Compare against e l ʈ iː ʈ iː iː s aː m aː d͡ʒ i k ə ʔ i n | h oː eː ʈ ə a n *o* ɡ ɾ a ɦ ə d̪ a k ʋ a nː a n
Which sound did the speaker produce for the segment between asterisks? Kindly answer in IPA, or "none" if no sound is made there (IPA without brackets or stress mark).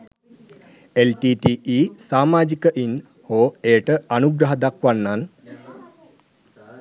u